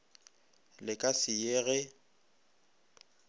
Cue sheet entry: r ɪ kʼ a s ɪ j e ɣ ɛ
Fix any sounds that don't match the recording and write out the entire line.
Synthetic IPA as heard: l ɪ kʼ a s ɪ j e ɣ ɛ